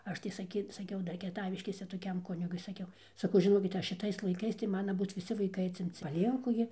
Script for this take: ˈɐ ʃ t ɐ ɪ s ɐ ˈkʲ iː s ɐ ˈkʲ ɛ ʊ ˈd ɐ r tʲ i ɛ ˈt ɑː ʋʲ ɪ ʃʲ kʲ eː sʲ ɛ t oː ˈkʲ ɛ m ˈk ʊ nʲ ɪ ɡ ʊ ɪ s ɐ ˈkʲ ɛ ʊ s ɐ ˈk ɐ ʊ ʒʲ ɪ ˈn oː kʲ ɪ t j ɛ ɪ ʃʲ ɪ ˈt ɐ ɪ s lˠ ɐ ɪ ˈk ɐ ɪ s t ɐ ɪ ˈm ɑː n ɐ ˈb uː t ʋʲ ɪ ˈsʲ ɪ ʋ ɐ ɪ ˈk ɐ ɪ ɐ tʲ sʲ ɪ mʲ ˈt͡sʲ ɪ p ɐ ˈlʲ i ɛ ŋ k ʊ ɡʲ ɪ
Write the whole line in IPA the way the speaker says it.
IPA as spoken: ˈɐ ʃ t ɐ ɪ s ɐ ˈkʲ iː s ɐ ˈkʲ ɛ ʊ ˈd ɐ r kʲ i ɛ ˈt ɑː ʋʲ ɪ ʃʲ kʲ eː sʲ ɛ t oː ˈkʲ ɛ m ˈk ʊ nʲ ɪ ɡ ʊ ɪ s ɐ ˈkʲ ɛ ʊ s ɐ ˈk ɐ ʊ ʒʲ ɪ ˈn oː kʲ ɪ t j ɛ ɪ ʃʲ ɪ ˈt ɐ ɪ s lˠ ɐ ɪ ˈk ɐ ɪ s t ɐ ɪ ˈm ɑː n ɐ ˈb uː t ʋʲ ɪ ˈsʲ ɪ ʋ ɐ ɪ ˈk ɐ ɪ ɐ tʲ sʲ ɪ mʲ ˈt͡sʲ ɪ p ɐ ˈlʲ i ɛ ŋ k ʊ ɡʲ ɪ